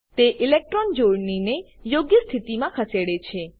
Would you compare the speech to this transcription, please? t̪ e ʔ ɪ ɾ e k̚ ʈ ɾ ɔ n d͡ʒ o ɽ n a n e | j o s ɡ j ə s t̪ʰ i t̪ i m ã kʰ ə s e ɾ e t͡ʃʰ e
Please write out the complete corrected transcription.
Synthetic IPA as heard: t̪ e ʔ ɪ l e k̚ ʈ ɾ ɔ n d͡ʒ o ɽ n i n e | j o ɡ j ə s t̪ʰ i t̪ i m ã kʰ ə s e ɽ e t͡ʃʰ e